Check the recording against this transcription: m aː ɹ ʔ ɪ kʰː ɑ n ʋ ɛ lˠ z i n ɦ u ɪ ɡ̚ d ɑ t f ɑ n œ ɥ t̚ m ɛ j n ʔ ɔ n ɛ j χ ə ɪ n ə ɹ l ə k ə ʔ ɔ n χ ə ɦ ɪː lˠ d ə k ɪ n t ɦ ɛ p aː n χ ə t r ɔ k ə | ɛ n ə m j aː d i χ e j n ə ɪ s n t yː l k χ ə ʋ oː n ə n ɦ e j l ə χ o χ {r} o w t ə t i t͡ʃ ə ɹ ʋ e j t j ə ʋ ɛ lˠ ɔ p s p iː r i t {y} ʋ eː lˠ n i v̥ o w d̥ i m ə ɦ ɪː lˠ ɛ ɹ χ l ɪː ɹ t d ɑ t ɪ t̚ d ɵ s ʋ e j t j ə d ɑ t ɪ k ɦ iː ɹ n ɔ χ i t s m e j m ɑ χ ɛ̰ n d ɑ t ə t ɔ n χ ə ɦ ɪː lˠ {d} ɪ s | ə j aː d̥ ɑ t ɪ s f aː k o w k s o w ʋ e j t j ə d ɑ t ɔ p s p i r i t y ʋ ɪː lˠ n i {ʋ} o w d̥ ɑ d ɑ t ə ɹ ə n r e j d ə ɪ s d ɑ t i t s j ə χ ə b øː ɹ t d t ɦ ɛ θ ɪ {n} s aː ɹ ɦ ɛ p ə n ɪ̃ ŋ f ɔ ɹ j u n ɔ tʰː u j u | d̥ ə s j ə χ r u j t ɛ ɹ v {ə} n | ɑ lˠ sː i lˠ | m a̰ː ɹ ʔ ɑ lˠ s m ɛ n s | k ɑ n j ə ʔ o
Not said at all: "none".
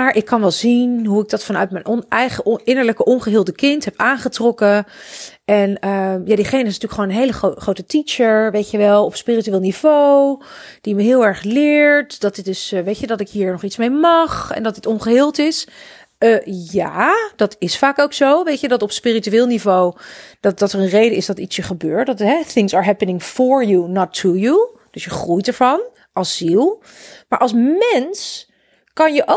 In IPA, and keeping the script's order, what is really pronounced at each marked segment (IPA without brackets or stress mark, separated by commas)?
r, y, t, v, ŋ, ɑ